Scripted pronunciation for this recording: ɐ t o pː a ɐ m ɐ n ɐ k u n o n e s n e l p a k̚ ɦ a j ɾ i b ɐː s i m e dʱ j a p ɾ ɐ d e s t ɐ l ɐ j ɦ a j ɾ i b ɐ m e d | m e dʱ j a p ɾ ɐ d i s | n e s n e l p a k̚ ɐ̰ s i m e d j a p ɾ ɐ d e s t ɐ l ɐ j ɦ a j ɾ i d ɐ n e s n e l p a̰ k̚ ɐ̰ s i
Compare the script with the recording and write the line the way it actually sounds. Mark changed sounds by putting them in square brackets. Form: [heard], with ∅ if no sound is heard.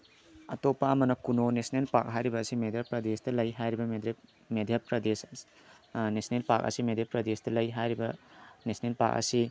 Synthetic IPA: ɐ t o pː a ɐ m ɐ n ɐ k u n o n e s n e l p a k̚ ɦ a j ɾ i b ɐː s i m e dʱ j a p ɾ ɐ d e s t ɐ l ɐ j ɦ a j ɾ i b ɐ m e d | m e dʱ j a p ɾ ɐ d [e] s | n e s n e l p a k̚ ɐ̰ s i m e d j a p ɾ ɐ d e s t ɐ l ɐ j ɦ a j ɾ i [b] ɐ n e s n e l p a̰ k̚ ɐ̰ s i

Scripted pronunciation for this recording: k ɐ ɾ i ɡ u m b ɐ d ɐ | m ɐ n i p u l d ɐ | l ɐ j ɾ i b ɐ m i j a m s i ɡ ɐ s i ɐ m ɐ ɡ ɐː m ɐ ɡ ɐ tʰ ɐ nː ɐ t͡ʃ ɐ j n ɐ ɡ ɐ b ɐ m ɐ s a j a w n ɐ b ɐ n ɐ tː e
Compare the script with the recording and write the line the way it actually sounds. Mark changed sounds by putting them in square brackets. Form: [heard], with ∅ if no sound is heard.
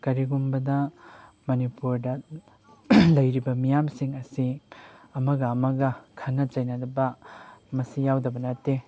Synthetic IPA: k ɐ ɾ i ɡ u m b ɐ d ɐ | m ɐ n i p u [ɾ] d ɐ | l ɐ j ɾ i b ɐ m i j a m s i [ŋ] ɐ s i ɐ m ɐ ɡ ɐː m ɐ ɡ ɐ [kʰ] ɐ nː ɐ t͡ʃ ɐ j n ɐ [d] ɐ b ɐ m ɐ s [i] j a w [d] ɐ b ɐ n ɐ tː e

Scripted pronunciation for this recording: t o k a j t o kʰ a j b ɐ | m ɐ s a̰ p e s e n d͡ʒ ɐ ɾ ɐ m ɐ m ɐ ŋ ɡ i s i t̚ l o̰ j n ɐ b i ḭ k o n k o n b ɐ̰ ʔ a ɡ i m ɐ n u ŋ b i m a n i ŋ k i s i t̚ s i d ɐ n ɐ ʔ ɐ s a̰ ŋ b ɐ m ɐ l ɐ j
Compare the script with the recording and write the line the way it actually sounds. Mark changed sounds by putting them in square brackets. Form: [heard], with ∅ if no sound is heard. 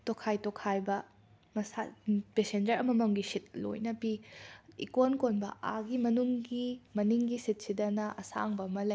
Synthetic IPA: t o [kʰ] a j t o kʰ a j b ɐ | m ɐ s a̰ p e s e n d͡ʒ ɐ ɾ ɐ m ɐ m ɐ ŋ ɡ i s i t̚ l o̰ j n ɐ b i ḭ k o n k o n b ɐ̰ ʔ a ɡ i m ɐ n u ŋ [ɡ] i m [ɐ] n i ŋ [ɡ] i s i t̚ s i d ɐ n ɐ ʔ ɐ s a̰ ŋ b ɐ m ɐ l ɐ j

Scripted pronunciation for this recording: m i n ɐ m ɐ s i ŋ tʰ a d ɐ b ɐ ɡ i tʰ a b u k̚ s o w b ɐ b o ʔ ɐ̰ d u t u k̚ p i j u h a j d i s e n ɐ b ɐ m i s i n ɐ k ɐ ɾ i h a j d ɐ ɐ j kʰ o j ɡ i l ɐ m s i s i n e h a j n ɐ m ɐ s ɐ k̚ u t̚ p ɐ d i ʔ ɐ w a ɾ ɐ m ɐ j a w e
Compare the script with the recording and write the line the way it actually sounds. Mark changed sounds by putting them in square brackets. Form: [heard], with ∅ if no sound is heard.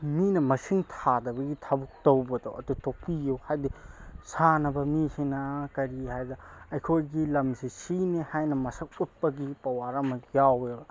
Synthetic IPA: m i n ɐ m ɐ s i ŋ tʰ a d ɐ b ɐ ɡ i tʰ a b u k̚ [t] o w b ɐ [d] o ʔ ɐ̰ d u t [o] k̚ p i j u h a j d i s [a] n ɐ b ɐ m i s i n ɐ k ɐ ɾ i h a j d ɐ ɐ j kʰ o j ɡ i l ɐ m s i s i n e h a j n ɐ m ɐ s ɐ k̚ u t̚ p ɐ [ɡ] i [p] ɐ w a ɾ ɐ m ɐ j a w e

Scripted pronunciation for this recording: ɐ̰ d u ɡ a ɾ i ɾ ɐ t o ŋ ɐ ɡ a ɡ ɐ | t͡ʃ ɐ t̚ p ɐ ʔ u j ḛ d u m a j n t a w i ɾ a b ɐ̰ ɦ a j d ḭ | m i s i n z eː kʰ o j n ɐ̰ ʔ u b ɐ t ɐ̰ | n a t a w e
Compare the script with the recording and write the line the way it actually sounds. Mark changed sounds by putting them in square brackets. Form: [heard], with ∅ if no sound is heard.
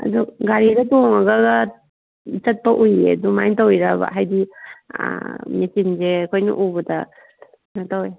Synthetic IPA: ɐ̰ d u ɡ a ɾ i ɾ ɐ t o ŋ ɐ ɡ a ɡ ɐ | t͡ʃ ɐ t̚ p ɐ ʔ u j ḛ d u m a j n t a w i ɾ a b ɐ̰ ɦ a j d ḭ | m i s i n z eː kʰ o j n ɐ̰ ʔ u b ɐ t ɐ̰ | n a t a w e

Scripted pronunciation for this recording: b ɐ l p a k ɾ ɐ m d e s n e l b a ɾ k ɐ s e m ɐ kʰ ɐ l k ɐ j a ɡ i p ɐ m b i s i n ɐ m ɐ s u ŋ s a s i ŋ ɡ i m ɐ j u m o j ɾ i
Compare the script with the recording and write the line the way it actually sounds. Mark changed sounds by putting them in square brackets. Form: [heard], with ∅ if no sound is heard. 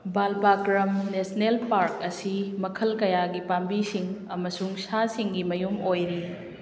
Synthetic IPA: b [a] l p a k ɾ ɐ m [n] e s n e l [p] a ɾ k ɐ s [i] m ɐ kʰ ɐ l k ɐ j a ɡ i p [a] m b i s i [ŋ] ɐ m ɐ s u ŋ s a s i ŋ ɡ i m ɐ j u m o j ɾ i

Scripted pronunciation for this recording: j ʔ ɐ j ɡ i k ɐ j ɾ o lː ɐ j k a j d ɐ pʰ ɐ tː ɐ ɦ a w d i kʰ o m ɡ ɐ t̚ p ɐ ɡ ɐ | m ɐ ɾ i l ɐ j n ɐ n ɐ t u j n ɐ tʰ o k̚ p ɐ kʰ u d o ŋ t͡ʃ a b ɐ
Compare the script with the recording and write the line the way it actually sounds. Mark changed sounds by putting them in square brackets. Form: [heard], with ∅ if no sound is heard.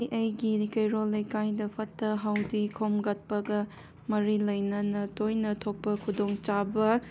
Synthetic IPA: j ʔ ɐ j ɡ i k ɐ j ɾ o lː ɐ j k a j d ɐ pʰ ɐ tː ɐ ɦ a w d i kʰ o m ɡ ɐ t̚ p ɐ ɡ ɐ | m ɐ ɾ i l ɐ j n ɐ n ɐ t [o] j n ɐ tʰ o k̚ p ɐ kʰ u d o ŋ t͡ʃ a b ɐ

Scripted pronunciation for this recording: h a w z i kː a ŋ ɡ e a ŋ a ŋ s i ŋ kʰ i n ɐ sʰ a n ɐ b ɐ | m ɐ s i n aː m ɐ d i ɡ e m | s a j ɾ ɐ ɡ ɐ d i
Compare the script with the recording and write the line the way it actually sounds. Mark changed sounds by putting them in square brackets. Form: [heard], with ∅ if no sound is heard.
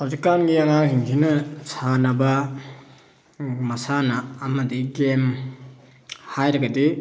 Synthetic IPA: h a w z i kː a [n] ɡ [i] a ŋ a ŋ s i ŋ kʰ i n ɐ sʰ a n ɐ b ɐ | m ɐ s [a] n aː m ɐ d i ɡ e m | [h] a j ɾ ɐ ɡ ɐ d i

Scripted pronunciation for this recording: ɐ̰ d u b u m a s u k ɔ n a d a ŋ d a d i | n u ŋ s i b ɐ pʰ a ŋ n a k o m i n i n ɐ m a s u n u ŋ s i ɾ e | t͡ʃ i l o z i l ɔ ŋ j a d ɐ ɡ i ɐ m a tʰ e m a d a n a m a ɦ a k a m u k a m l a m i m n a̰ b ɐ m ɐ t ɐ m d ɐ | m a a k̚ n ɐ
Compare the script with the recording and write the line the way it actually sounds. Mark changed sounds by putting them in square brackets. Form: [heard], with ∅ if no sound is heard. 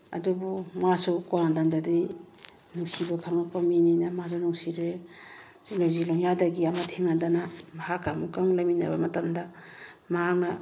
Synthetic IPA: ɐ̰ d u b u m a s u k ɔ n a d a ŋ d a d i | n u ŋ s i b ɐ [kʰ] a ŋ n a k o m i n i n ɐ m a s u n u ŋ s i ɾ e | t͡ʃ i l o z i l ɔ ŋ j a d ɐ ɡ i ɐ m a tʰ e [ŋ] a d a n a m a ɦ a k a m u k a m l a m i [∅] n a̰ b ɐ m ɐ t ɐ m d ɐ | m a a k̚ n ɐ

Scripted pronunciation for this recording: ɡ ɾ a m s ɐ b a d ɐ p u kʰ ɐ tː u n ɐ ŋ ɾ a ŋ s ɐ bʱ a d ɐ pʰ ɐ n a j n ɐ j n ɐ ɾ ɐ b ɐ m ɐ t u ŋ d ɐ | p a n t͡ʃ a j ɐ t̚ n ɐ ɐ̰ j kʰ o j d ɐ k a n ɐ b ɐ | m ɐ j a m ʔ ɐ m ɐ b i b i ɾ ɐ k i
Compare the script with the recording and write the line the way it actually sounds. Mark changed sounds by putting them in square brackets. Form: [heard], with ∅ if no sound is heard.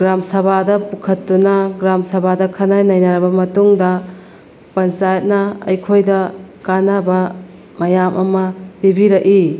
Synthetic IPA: ɡ ɾ a m s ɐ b a d ɐ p u kʰ ɐ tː u n ɐ [ɡ] ɾ a [m] s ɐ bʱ a d ɐ [kʰ] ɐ n a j n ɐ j n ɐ ɾ ɐ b ɐ m ɐ t u ŋ d ɐ | p [ɐ] n t͡ʃ a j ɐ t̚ n ɐ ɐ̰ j kʰ o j d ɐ k a n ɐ b ɐ | m ɐ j a m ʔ ɐ m ɐ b i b i ɾ ɐ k i

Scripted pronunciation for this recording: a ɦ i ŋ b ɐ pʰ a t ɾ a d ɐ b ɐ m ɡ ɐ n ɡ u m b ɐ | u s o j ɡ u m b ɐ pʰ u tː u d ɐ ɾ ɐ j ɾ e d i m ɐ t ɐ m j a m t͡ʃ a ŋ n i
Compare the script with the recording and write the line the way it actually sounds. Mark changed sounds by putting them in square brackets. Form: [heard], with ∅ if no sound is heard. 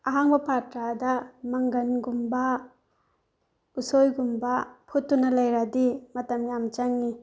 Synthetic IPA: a ɦ [a] ŋ b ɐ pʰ a t ɾ a d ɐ [m] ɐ [ŋ] ɡ ɐ n ɡ u m b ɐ | u s o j ɡ u m b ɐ pʰ u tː u [n] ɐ [l] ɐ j ɾ [a] d i m ɐ t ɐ m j a m t͡ʃ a ŋ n i

